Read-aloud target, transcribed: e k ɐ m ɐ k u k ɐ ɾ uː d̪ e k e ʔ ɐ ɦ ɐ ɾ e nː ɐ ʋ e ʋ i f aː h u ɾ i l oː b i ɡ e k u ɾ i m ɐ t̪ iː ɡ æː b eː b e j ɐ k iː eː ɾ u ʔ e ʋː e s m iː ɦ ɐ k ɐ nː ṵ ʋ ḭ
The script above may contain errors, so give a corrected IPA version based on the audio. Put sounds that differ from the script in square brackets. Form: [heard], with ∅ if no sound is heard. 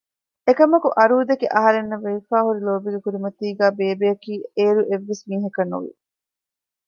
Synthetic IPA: e k ɐ m ɐ k u [ʔ] ɐ ɾ uː d̪ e k e ʔ ɐ ɦ ɐ ɾ e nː ɐ ʋ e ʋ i f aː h u ɾ i l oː b i ɡ e k u ɾ i m ɐ t̪ iː ɡ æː b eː b e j ɐ k iː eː ɾ u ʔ e ʋː e s m iː ɦ ɐ k ɐ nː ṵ ʋ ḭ